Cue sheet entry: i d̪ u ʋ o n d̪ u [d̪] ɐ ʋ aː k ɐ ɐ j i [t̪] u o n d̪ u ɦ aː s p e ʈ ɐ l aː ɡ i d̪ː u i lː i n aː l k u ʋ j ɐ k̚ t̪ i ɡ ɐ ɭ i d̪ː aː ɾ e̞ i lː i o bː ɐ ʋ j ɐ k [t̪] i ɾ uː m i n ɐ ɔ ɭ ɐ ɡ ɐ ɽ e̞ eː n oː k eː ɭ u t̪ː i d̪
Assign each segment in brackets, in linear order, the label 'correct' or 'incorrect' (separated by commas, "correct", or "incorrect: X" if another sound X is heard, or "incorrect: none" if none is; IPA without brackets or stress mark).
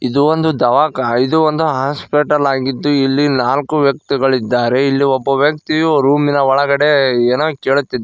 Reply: correct, incorrect: d̪, correct